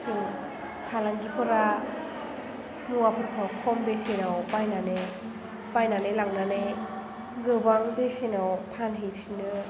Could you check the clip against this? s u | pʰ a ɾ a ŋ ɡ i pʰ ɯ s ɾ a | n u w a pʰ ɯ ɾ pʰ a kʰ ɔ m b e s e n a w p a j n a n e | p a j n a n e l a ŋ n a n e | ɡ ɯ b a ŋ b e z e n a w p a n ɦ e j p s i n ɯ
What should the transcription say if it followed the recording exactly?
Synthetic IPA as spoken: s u | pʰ a l a ŋ ɡ i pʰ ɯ ɾ a | n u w a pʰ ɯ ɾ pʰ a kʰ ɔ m b e s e n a w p a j n a n e | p a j n a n e l a ŋ n a n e | ɡ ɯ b a ŋ b e s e n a w pʰ a n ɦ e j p s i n ɯ